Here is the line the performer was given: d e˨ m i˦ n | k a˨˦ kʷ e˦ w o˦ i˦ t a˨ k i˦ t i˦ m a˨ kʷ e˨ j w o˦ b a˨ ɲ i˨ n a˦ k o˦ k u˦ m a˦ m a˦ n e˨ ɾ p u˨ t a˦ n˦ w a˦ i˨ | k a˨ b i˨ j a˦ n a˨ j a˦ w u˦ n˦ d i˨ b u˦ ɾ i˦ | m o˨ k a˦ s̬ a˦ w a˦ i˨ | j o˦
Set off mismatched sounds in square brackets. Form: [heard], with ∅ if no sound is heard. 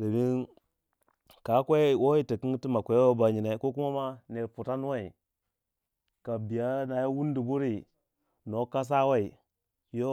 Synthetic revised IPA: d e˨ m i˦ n | k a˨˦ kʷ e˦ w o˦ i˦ t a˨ k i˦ t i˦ m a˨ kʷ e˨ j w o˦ b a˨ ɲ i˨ n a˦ k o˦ k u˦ m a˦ m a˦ n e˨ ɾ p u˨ t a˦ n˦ w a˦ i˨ | k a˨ b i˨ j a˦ n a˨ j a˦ w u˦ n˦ d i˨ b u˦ ɾ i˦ | [n] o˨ k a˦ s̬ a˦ w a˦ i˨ | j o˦

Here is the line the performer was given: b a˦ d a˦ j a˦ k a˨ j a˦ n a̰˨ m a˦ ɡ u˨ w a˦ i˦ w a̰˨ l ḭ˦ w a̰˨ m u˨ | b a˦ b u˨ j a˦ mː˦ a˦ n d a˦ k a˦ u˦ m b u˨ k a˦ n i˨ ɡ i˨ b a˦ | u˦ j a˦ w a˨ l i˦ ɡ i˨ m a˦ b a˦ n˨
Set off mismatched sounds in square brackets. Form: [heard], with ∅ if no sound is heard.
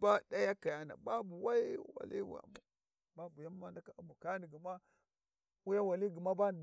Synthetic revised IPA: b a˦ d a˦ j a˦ k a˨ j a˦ n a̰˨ [b] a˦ [b] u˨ w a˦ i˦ w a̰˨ l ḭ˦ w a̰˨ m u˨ | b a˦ b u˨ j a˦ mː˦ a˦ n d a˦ k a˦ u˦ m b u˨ k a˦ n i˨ ɡ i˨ [m] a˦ | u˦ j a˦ w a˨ l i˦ ɡ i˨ m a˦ b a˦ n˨

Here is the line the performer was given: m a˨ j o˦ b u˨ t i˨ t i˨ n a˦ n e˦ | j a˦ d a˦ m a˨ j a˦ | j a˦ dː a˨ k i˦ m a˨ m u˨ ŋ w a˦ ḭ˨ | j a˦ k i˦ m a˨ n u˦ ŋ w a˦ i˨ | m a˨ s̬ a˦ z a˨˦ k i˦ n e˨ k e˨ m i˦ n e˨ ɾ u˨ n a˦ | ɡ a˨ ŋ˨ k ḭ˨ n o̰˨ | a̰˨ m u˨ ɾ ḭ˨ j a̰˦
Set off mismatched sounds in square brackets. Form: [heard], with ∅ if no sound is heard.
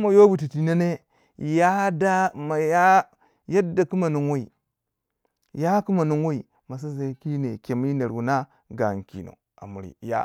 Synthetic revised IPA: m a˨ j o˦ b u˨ t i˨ t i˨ n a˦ n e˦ | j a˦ d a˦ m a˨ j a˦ | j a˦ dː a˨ k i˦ m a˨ [n] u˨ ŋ w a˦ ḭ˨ | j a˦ k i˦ m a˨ n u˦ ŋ w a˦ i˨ | m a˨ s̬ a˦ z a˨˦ k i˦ n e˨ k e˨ m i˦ n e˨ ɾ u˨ n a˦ | ɡ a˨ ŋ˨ k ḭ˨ n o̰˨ | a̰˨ m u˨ ɾ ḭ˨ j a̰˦

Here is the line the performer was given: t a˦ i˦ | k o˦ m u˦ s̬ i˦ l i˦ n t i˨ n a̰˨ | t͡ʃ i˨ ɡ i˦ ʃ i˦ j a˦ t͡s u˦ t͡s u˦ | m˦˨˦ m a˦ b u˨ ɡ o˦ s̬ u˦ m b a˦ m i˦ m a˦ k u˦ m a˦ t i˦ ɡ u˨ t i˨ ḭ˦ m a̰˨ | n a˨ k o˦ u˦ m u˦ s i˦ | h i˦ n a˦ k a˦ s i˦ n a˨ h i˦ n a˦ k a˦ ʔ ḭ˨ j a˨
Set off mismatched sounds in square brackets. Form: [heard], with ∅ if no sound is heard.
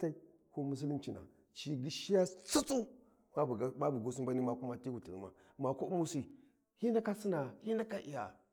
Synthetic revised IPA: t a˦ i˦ | k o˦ m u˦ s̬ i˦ l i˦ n [t͡ʃ] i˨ n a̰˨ | t͡ʃ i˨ ɡ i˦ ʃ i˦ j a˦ t͡s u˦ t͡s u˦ | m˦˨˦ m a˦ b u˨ ɡ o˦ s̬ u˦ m b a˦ [n] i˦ m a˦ k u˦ m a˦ t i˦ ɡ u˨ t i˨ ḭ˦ m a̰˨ | [m] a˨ k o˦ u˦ m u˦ s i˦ | h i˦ n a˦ k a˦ s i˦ n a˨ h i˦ n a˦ k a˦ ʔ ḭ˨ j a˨

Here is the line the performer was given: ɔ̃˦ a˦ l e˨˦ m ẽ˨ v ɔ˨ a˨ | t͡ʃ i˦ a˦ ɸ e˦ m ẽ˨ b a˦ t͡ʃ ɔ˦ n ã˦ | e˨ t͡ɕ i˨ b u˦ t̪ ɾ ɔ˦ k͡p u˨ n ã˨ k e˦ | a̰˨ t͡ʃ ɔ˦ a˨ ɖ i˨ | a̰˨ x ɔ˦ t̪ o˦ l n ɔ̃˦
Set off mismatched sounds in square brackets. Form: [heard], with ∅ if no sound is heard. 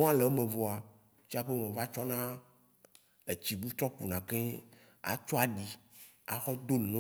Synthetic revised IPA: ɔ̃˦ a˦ l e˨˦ m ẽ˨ v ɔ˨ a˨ | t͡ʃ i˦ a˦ ɸ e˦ m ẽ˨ [v] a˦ t͡ʃ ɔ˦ n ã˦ | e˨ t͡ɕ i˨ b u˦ t̪ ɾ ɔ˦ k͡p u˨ n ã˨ k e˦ | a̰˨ t͡ʃ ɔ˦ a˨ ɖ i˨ | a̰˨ x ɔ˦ [d̪] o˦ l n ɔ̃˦

